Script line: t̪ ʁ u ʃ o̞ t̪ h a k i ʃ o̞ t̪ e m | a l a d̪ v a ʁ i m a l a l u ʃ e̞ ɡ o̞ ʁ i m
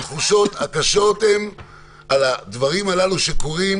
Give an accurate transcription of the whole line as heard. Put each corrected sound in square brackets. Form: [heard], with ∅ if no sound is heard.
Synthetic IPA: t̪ [χ] u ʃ o̞ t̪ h a k [a] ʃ o̞ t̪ e m | a l a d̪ v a ʁ i m a l a l u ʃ e̞ [k] o̞ ʁ i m